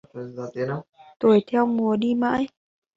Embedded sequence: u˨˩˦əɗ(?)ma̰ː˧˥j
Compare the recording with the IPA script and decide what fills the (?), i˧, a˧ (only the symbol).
i˧